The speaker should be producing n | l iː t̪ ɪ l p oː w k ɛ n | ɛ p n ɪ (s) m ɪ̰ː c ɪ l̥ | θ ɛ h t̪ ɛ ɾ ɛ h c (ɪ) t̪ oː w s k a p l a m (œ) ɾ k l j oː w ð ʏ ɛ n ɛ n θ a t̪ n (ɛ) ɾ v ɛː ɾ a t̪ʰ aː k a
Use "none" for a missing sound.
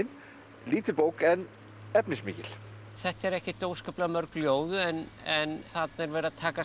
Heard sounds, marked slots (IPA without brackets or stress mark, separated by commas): s, ɪ, œ, ɛ